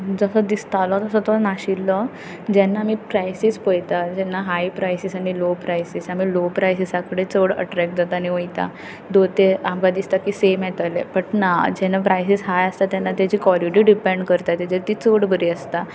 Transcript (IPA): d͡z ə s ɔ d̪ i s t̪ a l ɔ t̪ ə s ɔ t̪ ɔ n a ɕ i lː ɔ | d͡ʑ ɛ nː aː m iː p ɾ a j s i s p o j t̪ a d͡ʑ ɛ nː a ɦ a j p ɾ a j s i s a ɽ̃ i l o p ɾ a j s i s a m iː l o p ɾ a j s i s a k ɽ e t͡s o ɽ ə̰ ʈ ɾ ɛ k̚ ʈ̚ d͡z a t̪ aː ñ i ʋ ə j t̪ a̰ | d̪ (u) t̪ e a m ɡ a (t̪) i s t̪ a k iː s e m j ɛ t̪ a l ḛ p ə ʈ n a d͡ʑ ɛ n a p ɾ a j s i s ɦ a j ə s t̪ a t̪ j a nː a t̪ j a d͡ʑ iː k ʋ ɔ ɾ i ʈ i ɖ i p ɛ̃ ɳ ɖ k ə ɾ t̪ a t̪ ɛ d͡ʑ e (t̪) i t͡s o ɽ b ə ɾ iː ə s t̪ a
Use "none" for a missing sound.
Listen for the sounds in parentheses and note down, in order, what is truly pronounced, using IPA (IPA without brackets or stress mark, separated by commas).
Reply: o, d̪, t̪